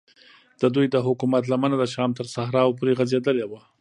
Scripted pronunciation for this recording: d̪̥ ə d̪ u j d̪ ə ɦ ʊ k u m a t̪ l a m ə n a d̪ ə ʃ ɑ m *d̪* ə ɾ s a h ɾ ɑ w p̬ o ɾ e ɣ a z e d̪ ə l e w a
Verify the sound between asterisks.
incorrect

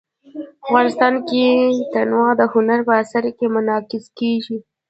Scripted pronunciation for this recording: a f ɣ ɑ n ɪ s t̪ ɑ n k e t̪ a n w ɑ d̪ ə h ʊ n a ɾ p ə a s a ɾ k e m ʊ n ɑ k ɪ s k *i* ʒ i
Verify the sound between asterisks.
incorrect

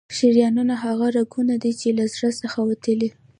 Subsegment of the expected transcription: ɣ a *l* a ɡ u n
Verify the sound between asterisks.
incorrect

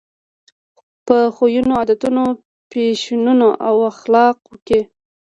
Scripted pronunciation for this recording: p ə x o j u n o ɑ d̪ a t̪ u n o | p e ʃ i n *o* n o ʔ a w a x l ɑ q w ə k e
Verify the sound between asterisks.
incorrect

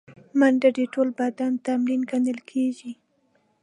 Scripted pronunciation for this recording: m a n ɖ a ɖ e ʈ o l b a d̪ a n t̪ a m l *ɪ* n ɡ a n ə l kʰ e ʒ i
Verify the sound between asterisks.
incorrect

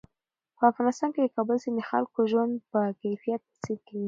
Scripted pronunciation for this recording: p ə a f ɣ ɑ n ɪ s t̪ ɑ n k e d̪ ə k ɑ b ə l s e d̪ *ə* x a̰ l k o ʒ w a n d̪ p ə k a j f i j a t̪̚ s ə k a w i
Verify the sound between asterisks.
correct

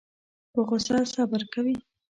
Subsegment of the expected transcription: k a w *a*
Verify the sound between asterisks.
incorrect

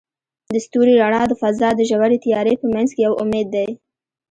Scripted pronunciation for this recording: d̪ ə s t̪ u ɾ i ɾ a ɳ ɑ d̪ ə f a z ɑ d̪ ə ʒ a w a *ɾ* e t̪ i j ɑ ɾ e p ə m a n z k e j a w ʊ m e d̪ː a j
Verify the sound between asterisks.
correct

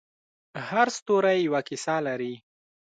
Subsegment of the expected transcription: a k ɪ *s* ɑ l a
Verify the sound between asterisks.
correct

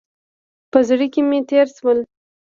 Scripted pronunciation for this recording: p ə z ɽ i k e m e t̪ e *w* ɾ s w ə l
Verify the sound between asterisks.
incorrect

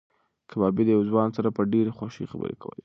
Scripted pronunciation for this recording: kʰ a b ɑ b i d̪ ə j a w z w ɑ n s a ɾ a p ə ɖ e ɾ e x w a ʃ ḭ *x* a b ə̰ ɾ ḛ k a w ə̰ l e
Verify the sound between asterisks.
correct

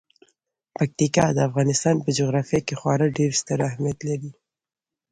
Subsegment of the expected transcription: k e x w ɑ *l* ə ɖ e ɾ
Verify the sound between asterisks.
incorrect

